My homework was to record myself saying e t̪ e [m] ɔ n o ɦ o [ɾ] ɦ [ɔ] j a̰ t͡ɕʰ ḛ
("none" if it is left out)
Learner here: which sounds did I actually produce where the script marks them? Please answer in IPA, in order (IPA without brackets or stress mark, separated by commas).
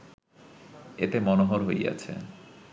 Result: m, ɾ, o